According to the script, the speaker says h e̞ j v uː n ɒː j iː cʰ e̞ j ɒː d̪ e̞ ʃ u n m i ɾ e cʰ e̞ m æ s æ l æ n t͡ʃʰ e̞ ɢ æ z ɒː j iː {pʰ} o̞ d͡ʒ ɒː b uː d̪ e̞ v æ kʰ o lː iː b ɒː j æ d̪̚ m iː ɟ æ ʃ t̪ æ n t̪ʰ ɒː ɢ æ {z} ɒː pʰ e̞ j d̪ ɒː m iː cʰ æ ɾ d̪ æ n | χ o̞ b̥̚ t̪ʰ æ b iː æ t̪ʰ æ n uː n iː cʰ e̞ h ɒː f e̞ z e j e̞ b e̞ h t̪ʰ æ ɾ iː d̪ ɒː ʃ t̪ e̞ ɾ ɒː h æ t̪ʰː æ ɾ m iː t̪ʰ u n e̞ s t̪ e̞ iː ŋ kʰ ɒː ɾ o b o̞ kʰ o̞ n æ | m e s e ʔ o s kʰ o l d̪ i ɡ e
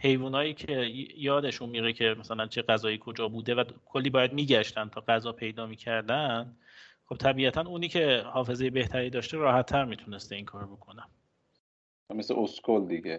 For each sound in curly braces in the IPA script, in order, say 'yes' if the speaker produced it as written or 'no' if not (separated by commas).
no, yes